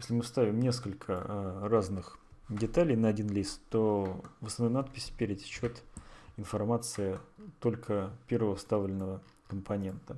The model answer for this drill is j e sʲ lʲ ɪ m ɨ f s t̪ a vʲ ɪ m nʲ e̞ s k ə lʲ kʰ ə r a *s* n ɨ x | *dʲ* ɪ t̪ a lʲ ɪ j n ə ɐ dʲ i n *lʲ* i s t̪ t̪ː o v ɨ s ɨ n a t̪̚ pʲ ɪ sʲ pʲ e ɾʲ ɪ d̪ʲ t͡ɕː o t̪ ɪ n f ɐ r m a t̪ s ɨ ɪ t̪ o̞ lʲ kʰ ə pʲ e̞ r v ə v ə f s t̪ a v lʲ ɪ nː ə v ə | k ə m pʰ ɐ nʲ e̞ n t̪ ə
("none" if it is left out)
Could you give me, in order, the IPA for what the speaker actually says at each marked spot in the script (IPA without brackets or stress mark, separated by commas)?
z, dʲ, lʲ